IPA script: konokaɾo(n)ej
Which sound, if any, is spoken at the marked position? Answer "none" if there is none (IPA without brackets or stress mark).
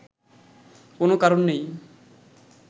nː